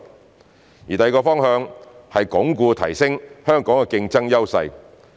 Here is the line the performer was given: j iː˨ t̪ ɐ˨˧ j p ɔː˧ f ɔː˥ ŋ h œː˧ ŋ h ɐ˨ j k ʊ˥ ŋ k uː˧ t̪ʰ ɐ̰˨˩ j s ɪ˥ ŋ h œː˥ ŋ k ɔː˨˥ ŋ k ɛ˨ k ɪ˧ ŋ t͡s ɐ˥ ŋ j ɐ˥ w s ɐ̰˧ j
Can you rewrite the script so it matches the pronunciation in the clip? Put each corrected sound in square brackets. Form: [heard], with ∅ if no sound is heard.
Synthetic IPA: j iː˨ t̪ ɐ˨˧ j [k] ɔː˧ f ɔː˥ ŋ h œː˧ ŋ h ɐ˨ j k [ʊ˨˥] ŋ k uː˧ t̪ʰ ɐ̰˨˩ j s ɪ˥ ŋ h œː˥ ŋ k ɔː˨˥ ŋ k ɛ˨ k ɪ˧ ŋ t͡s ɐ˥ ŋ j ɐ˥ w s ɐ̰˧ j